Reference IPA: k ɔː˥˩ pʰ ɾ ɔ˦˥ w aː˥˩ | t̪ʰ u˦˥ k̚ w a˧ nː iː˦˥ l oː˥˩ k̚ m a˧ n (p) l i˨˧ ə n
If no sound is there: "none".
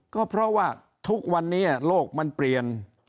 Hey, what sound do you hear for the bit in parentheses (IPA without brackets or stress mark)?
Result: p